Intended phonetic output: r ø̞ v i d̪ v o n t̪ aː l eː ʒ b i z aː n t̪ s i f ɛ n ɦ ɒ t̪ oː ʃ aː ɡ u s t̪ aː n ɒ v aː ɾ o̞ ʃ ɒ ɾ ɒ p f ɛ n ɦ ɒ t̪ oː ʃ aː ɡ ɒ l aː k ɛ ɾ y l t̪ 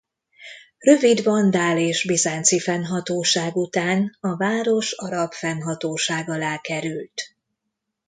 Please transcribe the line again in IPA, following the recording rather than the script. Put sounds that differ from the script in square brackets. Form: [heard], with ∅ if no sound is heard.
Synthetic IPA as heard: r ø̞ v i d̪ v [ɒ] n [d̪] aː l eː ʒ b i z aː n t̪ s i f ɛ n ɦ ɒ t̪ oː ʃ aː ɡ u [∅] t̪ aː n ɒ v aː ɾ o̞ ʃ ɒ ɾ ɒ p f ɛ n ɦ ɒ t̪ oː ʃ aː ɡ ɒ l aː k ɛ ɾ y l t̪